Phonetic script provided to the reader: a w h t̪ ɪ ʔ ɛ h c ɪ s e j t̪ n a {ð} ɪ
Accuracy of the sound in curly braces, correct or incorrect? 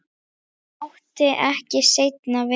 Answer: incorrect: v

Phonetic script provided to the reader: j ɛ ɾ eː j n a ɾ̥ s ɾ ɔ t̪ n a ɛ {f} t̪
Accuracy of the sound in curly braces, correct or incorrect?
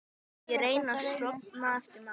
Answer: correct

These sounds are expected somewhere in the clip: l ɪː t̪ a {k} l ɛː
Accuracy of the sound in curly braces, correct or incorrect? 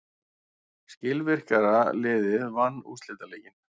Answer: incorrect: none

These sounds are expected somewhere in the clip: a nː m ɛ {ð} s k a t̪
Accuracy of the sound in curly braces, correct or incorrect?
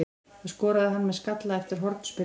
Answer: correct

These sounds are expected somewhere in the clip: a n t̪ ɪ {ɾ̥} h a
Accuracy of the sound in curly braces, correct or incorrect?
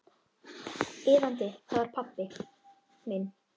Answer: incorrect: none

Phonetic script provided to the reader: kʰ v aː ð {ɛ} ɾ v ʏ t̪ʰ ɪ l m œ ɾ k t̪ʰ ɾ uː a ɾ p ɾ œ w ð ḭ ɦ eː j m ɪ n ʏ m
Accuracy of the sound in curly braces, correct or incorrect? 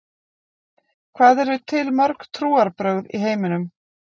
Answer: correct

